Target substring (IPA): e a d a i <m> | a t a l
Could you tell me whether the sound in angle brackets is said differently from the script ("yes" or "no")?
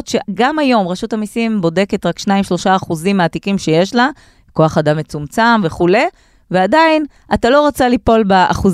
yes